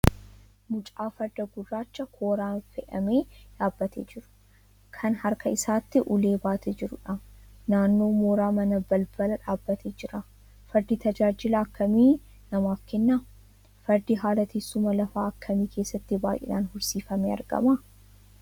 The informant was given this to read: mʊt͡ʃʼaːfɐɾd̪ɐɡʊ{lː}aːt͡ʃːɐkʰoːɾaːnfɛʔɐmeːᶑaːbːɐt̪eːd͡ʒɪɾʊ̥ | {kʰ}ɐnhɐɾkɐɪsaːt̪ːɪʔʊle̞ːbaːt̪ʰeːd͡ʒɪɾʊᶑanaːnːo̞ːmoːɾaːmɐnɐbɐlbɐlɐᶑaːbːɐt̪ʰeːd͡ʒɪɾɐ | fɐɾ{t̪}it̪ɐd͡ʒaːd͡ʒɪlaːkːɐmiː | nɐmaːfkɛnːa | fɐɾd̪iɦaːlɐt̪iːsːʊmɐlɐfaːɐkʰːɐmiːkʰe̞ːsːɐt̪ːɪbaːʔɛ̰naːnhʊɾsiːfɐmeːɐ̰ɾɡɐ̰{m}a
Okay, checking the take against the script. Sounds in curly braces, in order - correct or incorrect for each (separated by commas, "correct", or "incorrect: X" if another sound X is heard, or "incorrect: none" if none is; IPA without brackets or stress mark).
incorrect: rː, correct, incorrect: d̪, correct